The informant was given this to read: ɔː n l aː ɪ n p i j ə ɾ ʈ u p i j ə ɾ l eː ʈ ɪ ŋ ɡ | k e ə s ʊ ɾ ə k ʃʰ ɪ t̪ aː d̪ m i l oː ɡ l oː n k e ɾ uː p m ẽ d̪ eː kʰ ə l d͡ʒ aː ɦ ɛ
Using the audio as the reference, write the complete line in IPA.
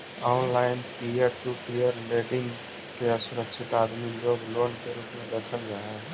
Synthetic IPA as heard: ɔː n l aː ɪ n p i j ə ɾ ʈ u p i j ə ɾ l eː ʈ ɪ ŋ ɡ | k e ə s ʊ ɾ ə k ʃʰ ɪ t̪ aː d̪ m i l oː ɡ l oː n k e ɾ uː p m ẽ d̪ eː kʰ ə l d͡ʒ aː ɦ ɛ